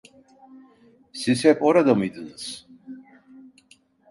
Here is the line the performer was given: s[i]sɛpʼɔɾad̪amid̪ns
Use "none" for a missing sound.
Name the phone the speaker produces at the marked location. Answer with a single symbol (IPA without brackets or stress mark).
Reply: i